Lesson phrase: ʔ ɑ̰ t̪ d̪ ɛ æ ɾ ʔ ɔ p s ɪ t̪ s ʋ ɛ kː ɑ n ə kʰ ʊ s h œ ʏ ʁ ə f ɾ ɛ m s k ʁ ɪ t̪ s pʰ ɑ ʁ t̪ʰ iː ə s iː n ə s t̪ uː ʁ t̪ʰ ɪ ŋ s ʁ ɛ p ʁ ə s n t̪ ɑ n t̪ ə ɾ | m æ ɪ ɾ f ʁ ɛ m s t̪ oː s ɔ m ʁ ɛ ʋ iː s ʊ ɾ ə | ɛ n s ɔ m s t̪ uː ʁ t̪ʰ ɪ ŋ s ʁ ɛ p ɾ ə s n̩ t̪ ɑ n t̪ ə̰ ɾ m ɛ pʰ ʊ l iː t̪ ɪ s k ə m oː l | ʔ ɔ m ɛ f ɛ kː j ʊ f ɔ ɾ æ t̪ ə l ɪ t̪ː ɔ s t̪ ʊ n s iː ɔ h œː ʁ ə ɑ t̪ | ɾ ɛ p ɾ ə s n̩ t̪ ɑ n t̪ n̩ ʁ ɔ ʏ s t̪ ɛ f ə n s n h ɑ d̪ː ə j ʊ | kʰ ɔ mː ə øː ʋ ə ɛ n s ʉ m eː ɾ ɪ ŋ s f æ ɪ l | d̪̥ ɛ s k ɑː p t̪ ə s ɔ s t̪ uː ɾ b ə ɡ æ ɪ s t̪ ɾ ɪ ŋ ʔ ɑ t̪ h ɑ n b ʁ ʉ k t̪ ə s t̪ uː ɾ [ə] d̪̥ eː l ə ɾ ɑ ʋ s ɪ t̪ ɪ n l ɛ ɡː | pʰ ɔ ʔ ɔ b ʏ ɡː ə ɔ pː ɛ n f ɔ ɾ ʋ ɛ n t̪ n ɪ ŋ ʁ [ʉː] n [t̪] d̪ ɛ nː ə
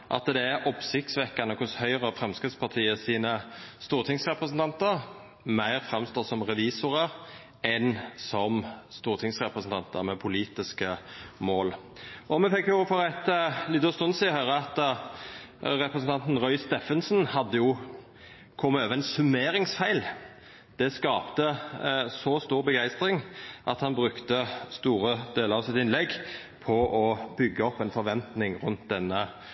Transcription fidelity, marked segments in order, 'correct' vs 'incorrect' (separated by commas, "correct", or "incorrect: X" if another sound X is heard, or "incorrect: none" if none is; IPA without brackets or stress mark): correct, incorrect: ʉ, correct